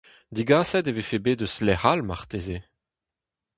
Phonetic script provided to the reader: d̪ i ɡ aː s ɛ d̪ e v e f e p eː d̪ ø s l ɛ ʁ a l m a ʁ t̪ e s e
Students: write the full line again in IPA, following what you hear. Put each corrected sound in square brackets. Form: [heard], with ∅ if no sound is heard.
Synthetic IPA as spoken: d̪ i ɡ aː s ɛ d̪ e v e f e [b] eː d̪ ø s l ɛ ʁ a l m a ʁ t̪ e [z] e